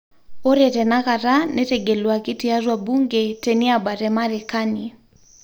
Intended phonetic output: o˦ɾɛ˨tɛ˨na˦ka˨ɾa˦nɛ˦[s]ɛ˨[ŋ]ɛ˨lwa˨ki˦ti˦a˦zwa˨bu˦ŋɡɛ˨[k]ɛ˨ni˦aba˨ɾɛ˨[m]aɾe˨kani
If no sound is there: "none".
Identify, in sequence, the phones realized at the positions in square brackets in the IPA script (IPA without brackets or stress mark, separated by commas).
t, ɡ, t, m